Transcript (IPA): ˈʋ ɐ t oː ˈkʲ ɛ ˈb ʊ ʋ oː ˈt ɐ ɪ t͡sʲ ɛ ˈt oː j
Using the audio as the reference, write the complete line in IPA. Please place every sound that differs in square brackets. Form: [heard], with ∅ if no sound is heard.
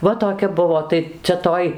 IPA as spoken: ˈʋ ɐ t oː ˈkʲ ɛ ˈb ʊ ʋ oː ˈt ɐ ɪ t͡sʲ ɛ ˈt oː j